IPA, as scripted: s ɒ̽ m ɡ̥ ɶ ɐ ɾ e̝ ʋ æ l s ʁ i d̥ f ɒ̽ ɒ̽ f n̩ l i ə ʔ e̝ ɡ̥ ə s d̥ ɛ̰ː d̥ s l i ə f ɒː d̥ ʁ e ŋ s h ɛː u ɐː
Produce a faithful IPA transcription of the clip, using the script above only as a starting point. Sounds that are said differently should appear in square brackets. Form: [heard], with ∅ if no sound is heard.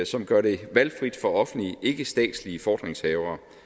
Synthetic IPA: s ɒ̽ m ɡ̥ ɶ ɐ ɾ e̝ ʋ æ l [f] ʁ i d̥ f ɒ̽ ɒ̽ f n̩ l i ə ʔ e̝ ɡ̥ ə s d̥ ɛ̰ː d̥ s l i ə f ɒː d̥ ʁ e ŋ s h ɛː [ʊ] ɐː